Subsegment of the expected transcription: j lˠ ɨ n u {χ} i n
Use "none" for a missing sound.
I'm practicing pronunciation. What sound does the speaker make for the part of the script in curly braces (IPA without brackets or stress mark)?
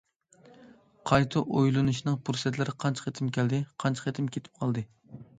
ʃ